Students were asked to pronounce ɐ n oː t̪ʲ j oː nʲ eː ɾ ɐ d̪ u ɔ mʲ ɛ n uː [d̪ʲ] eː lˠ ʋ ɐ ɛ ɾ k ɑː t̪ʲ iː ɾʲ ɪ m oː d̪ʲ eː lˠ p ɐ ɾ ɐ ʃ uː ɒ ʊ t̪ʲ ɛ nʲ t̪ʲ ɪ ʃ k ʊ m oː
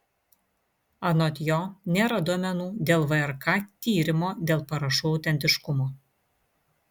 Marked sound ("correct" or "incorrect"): correct